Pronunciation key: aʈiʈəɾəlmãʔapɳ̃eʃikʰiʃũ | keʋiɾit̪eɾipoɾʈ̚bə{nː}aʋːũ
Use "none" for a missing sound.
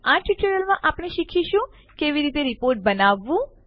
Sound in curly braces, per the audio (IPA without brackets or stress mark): n